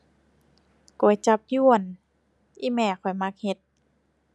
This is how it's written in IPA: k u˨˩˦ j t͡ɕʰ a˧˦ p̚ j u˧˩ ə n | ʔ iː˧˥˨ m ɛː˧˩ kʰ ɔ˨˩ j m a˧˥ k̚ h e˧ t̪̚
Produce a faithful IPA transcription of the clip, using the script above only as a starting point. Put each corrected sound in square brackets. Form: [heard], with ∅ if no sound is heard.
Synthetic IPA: k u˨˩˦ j [t͡ɕ] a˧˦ p̚ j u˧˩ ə n | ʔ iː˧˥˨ m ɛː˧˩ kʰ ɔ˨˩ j m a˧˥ k̚ h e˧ t̪̚